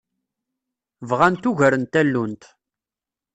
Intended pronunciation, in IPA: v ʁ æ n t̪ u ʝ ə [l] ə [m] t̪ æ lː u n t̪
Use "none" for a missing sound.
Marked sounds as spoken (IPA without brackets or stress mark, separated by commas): ɾ, n